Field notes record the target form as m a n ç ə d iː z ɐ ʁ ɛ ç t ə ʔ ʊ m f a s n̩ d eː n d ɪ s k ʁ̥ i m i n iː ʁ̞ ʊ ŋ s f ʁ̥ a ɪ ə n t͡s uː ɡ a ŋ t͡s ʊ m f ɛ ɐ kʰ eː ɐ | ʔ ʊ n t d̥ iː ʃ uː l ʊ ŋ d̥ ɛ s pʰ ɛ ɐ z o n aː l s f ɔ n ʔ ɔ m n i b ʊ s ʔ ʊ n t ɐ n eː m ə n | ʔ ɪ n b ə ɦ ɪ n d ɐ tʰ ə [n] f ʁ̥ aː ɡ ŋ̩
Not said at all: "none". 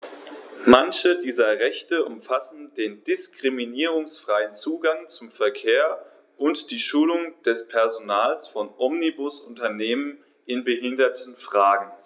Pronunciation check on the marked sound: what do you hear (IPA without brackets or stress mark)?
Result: n